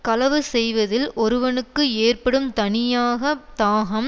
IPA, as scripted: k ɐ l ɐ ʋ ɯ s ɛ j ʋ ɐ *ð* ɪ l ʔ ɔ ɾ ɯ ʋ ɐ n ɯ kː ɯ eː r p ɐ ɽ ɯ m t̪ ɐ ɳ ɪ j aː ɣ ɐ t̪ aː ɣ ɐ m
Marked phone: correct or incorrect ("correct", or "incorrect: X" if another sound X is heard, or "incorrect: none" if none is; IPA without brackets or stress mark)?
correct